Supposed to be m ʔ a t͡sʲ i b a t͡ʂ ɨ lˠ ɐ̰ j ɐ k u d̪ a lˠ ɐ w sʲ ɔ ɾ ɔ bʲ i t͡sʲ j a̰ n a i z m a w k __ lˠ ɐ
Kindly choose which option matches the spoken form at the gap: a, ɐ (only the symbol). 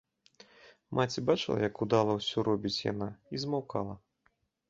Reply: a